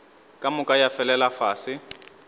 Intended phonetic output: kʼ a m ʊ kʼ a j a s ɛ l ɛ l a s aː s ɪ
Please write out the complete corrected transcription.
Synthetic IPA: kʼ a m ʊ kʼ a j a f ɛ l ɛ l a f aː s ɪ